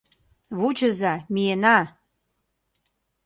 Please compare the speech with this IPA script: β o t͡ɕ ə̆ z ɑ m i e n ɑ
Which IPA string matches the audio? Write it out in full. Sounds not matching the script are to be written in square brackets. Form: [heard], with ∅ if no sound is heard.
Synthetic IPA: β [u] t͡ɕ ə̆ z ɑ m i e n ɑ